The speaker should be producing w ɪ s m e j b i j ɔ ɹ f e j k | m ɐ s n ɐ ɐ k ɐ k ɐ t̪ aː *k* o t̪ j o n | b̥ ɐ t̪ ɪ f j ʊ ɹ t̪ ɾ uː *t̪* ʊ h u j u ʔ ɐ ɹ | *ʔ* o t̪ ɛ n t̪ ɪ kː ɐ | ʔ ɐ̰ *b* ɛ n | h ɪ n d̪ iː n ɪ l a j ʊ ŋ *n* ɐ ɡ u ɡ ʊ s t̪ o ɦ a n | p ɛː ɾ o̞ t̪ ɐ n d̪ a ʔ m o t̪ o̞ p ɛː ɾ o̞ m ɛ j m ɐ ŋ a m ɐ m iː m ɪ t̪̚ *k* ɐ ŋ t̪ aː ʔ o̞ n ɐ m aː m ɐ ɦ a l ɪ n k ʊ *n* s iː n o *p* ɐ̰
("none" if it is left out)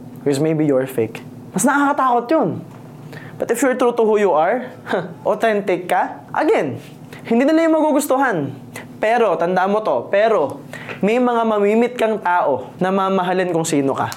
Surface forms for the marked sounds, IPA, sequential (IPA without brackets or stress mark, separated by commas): k, t̪, ʔ, ɡ, m, k, ŋ, k